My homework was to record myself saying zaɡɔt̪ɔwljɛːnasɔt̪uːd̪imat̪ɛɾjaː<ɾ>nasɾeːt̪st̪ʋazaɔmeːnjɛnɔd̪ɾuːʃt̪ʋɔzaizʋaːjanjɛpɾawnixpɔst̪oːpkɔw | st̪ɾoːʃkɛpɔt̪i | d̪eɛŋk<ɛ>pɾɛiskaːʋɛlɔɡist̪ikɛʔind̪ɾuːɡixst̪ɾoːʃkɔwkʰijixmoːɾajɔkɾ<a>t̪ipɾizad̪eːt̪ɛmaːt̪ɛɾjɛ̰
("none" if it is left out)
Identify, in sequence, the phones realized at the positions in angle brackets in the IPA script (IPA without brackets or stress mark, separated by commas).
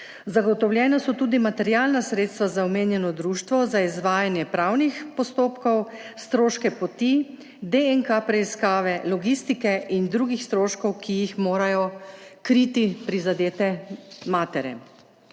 l, a, i